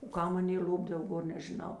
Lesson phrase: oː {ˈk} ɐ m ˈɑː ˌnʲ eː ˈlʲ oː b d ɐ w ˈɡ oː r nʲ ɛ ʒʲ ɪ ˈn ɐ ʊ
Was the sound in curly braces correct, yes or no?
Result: yes